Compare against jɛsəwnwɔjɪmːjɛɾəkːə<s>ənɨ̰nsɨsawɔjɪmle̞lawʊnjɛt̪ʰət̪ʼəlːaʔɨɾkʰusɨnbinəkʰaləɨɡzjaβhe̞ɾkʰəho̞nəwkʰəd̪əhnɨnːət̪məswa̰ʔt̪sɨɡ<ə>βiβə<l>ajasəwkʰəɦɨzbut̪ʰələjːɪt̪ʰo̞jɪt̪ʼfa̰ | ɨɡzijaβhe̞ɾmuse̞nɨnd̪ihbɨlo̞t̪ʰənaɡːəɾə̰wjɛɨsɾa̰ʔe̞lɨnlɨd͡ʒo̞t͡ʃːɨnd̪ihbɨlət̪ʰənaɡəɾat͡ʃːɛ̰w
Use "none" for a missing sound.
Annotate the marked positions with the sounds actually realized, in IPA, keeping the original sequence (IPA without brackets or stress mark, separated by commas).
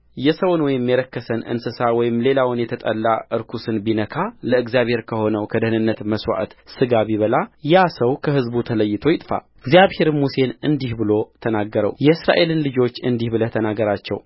s, a, l